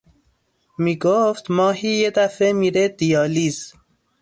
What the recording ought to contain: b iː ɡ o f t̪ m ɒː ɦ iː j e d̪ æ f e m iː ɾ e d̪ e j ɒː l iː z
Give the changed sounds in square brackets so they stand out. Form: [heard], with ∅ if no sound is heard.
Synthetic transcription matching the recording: [m] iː ɡ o f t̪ m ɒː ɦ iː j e d̪ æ f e m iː ɾ e d̪ [i] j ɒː l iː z